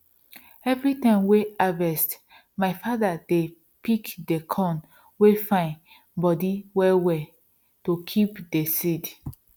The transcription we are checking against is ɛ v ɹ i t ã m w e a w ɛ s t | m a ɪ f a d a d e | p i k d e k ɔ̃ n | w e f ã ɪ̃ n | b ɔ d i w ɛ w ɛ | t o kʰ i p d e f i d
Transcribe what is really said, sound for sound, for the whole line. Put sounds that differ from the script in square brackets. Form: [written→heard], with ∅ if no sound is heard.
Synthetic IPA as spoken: ɛ v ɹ i t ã m w e a [w→v] ɛ s t | m a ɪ f a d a d e | p i k d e [k→kʰ] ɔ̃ n | w e f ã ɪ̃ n | b ɔ d i w ɛ w ɛ | t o kʰ i p d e [f→s] i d